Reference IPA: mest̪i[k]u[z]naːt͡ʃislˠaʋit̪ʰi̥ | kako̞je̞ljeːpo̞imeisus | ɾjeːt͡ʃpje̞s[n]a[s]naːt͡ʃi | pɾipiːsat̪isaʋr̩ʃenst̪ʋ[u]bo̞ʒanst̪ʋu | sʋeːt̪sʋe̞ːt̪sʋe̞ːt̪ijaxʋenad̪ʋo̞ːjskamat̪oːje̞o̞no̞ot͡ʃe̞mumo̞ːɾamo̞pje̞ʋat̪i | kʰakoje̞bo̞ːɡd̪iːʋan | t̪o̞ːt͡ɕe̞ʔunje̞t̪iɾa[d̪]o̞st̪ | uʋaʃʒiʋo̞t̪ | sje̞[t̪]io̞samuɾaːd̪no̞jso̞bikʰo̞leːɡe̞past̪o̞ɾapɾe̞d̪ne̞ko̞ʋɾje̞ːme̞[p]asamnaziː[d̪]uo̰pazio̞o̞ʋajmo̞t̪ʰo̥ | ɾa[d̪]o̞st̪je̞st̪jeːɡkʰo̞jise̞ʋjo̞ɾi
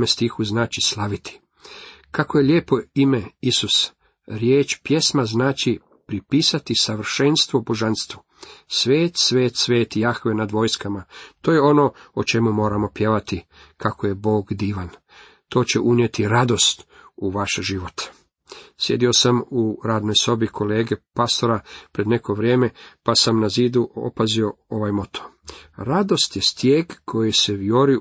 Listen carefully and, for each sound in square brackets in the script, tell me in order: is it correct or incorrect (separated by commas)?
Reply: incorrect, correct, incorrect, incorrect, incorrect, correct, incorrect, correct, correct, correct